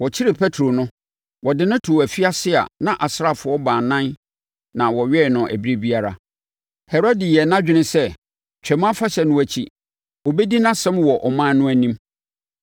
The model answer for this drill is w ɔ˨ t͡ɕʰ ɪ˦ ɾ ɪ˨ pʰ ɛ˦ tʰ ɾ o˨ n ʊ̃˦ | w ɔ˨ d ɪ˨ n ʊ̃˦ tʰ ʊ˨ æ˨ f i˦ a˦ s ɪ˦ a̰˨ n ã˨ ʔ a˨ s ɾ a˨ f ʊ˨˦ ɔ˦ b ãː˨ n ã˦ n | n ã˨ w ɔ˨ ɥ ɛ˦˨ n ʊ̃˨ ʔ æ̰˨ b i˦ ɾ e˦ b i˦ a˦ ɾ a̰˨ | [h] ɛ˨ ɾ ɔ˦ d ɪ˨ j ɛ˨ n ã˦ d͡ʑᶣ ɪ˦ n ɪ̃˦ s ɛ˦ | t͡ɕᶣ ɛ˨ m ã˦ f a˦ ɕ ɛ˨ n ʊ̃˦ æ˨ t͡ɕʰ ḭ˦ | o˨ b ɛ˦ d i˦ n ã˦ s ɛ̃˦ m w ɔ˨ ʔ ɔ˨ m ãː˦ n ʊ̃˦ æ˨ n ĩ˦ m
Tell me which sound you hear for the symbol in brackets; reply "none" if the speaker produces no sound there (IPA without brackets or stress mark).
h